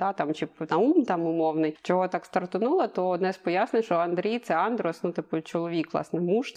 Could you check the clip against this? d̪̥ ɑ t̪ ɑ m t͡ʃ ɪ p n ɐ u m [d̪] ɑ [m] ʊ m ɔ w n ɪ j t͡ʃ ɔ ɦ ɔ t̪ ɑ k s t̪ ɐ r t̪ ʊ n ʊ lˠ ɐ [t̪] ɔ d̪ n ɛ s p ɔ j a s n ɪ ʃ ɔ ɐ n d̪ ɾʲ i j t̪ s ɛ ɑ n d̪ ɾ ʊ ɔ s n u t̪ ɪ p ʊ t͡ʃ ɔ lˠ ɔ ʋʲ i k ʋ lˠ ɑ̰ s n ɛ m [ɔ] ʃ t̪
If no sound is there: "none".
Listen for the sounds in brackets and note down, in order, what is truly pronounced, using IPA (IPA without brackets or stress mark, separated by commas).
t̪, m, t̪, u